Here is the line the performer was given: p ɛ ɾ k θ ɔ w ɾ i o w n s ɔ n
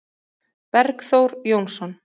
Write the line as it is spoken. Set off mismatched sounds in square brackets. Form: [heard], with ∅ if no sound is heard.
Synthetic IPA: p ɛ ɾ k θ [o] w ɾ [j] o w n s ɔ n